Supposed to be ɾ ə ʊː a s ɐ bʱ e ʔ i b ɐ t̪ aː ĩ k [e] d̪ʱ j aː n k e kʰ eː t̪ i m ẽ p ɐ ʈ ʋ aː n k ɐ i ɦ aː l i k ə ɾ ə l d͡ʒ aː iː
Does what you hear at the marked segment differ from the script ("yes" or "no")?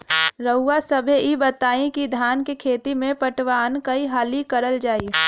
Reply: yes